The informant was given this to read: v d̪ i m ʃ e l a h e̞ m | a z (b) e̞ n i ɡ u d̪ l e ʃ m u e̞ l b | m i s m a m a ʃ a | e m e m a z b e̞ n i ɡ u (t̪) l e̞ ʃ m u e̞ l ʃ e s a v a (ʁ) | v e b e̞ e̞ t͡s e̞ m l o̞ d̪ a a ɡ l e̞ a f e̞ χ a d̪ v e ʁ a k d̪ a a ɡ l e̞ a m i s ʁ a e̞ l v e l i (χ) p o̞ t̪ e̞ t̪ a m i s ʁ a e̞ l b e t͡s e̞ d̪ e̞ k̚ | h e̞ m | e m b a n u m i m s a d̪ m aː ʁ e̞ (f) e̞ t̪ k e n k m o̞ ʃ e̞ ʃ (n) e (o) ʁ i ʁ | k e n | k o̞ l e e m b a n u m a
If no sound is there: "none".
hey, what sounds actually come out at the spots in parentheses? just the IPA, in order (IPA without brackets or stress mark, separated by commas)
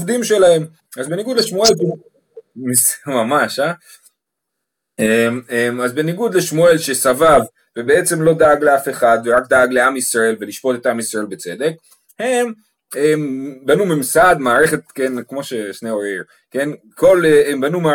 b, d̪, v, ʃ, χ, n, o